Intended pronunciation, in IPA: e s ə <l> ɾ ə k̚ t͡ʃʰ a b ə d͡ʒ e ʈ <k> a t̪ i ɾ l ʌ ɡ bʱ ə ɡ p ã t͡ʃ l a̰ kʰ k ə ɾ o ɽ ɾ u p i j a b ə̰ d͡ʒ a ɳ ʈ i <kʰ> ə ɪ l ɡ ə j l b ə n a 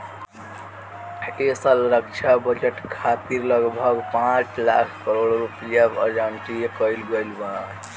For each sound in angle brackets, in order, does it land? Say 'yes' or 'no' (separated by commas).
yes, no, no